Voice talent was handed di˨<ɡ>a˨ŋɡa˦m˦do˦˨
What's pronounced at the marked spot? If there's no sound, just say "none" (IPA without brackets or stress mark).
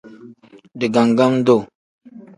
ɡ